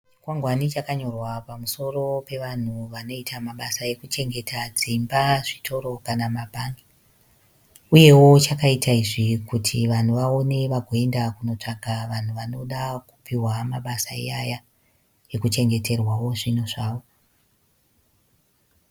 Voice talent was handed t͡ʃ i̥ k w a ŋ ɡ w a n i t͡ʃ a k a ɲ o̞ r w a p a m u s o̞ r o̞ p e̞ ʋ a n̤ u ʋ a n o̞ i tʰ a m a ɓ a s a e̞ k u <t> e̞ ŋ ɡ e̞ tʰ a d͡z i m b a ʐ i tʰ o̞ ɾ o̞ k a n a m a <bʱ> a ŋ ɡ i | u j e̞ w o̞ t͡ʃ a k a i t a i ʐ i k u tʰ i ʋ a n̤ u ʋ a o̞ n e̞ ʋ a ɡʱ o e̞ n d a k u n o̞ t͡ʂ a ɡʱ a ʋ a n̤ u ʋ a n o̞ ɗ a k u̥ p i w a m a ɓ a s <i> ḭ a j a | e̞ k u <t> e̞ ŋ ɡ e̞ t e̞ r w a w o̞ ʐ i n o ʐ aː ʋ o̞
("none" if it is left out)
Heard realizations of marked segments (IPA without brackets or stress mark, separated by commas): t͡ʃ, bʱ, a, t͡ʃ